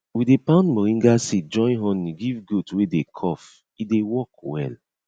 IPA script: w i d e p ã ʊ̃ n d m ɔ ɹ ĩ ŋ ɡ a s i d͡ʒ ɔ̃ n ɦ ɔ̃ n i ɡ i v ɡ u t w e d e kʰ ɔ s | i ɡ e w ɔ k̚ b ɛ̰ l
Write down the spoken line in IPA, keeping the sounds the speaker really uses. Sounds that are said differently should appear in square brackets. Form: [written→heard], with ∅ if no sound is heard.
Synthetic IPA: w i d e p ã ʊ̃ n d m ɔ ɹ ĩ ŋ ɡ a s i d͡ʒ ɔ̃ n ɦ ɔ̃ n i ɡ i v ɡ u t w e d e kʰ ɔ [s→f] | i [ɡ→d] e w ɔ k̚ [b→w] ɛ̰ l